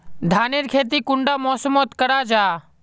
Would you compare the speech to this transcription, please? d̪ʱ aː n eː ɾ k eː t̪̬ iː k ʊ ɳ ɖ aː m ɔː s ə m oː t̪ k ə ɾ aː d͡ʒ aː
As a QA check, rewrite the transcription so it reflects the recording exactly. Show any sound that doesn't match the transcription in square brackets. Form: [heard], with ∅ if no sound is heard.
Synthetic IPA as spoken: d̪ʱ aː n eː ɾ [kʰ] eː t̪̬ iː k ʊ ɳ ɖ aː m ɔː s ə m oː t̪ k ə ɾ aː d͡ʒ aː